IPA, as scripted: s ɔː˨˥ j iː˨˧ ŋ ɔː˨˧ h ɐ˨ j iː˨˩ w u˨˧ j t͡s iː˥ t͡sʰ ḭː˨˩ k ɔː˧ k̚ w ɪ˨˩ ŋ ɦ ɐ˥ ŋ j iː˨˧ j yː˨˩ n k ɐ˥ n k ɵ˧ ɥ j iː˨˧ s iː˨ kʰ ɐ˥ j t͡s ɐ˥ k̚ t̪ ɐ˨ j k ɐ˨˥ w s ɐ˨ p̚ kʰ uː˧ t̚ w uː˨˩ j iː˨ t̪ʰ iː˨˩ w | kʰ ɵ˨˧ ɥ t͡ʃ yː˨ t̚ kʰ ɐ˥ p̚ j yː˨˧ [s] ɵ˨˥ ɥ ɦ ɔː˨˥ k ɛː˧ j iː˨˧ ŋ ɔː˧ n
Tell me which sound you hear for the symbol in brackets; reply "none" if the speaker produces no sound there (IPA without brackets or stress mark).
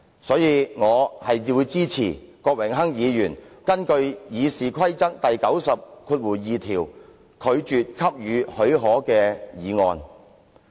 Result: h